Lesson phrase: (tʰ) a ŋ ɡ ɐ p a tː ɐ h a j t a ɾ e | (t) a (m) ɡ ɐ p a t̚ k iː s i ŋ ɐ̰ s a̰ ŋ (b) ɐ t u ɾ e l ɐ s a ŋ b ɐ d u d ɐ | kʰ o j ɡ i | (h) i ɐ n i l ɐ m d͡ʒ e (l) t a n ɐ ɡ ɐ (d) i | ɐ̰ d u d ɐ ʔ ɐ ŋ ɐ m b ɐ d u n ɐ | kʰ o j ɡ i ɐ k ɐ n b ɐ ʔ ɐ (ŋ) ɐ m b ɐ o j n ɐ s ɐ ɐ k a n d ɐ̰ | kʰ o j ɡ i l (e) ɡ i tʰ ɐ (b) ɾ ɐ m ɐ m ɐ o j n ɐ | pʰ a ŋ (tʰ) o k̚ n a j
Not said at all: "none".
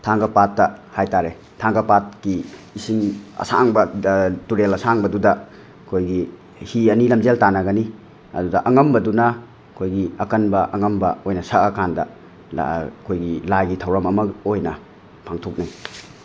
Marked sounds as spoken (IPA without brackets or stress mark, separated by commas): tʰ, tʰ, ŋ, b, h, l, n, ŋ, a, w, tʰ